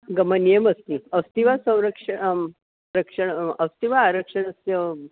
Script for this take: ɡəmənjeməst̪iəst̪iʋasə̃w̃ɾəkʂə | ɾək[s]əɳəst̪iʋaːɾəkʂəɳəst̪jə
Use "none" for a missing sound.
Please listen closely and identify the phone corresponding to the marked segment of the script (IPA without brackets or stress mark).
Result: ʂ